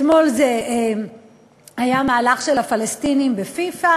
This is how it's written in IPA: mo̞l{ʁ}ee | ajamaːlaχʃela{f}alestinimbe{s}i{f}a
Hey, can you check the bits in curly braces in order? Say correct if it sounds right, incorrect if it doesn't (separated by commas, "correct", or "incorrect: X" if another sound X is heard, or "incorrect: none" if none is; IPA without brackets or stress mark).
incorrect: z, correct, incorrect: f, correct